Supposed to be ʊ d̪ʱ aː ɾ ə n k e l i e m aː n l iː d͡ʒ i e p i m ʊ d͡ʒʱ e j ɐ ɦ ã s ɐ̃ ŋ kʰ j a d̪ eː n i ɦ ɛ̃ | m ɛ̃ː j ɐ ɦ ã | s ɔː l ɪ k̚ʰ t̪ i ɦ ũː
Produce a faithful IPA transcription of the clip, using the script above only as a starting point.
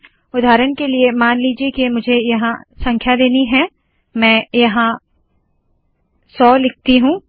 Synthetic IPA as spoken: ʊ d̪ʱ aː ɾ ə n k e l i e m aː n l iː d͡ʒ i e k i m ʊ d͡ʒʱ e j ɐ ɦ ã s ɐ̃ ŋ kʰ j a d̪ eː n i ɦ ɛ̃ | m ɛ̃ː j ɐ ɦ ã | s ɔː l ɪ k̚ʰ t̪ i ɦ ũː

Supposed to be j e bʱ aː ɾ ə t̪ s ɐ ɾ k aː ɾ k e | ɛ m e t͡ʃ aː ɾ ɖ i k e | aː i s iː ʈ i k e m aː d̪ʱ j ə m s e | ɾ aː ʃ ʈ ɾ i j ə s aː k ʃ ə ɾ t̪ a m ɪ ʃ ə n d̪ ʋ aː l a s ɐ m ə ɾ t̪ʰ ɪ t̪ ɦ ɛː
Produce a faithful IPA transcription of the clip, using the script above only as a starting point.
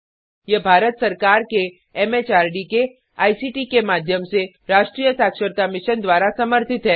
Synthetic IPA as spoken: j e bʱ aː ɾ ə t̪ s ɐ ɾ k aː ɾ k e | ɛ m e t͡ʃ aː ɾ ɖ i k e | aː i s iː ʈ i k e m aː d̪ʱ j ə m s e | ɾ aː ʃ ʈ ɾ i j ə s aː k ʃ ə ɾ t̪ a m ɪ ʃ ə n d̪ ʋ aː ɾ a s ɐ m ə ɾ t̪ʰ ɪ t̪ ɦ ɛː

